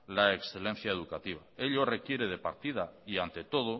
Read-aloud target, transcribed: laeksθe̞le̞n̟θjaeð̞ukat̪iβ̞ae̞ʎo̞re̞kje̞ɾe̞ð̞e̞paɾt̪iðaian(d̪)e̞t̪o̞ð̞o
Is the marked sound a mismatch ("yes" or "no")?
yes